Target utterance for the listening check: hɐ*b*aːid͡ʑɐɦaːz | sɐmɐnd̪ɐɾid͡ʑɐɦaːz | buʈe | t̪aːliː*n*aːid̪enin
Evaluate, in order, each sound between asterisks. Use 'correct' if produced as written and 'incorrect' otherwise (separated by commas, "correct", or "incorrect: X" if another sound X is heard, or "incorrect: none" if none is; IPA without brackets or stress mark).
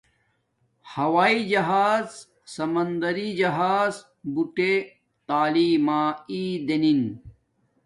incorrect: w, incorrect: m